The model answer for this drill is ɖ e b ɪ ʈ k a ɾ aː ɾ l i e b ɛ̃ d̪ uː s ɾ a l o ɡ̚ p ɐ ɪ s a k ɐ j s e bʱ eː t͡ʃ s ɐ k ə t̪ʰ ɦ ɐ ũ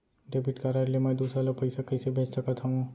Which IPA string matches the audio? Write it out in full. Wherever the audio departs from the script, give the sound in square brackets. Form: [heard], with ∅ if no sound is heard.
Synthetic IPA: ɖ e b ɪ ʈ k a ɾ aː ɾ l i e [m] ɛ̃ d̪ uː s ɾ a l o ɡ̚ p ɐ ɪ s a k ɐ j s e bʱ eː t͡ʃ s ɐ k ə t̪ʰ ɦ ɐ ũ

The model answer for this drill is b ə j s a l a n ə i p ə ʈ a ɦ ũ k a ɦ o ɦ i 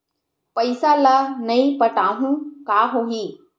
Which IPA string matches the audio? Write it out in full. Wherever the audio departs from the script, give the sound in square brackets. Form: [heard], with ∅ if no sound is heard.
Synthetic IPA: [p] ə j s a l a n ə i p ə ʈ a ɦ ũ k a ɦ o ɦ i

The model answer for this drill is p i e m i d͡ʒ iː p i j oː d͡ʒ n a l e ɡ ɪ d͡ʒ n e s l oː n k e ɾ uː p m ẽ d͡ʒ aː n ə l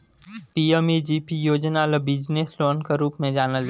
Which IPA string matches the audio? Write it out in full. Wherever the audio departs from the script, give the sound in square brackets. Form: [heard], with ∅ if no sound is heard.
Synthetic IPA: p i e m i d͡ʒ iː p i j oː d͡ʒ n a l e [b] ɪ d͡ʒ n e s l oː n k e ɾ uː p m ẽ d͡ʒ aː n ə l

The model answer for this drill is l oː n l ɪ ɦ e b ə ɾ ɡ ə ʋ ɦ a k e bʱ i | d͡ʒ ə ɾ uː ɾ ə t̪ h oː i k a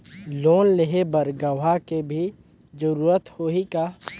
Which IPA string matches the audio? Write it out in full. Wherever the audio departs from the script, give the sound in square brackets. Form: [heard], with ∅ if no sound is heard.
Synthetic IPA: l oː n l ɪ ɦ e b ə ɾ ɡ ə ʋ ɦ a k e bʱ i | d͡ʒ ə ɾ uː ɾ ə t̪ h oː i k a

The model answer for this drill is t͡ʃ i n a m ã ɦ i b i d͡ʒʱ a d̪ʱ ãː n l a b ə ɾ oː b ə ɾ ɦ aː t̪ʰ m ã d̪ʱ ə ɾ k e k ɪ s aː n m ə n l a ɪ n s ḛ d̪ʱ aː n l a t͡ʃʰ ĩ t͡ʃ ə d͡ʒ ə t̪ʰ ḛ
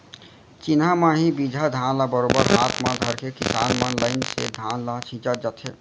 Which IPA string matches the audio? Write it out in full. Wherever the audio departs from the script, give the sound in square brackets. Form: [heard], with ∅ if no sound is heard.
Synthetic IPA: t͡ʃ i n a m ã ɦ i b i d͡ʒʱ a d̪ʱ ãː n l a b ə ɾ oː b ə ɾ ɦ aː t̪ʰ m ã d̪ʱ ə ɾ k e k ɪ s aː n m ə n l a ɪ n s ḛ d̪ʱ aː n l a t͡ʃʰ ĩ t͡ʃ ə d͡ʒ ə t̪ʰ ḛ

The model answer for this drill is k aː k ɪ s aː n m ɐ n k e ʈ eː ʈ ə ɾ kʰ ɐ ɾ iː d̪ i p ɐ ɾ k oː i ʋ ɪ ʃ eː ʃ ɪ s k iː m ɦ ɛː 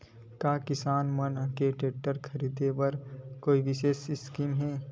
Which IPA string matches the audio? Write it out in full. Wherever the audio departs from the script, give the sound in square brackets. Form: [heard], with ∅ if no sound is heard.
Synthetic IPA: k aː k ɪ s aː n m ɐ n k e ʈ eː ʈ ə ɾ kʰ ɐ ɾ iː d̪ [e] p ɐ ɾ k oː i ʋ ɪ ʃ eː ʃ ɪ s k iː m ɦ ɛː

